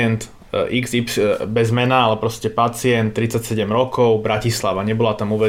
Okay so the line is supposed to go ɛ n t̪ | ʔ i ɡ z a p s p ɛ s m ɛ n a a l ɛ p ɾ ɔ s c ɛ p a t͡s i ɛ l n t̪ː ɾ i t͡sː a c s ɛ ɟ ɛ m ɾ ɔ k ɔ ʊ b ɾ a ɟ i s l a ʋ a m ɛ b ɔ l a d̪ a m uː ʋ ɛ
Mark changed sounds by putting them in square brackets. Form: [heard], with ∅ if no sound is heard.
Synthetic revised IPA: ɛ n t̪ | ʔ i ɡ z [i] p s [b] ɛ [z] m ɛ n a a l ɛ p ɾ ɔ s c ɛ p a t͡s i ɛ [∅] n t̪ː ɾ i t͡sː a c s ɛ ɟ ɛ m ɾ ɔ k ɔ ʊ b ɾ a [c] i s l a ʋ a [ɲ] ɛ b ɔ l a [t̪] a m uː ʋ ɛ